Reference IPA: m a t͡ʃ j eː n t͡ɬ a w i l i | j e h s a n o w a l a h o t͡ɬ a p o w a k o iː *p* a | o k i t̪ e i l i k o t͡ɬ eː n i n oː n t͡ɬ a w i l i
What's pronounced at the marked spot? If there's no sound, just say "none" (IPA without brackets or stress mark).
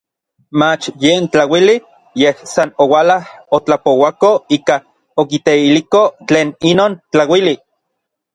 k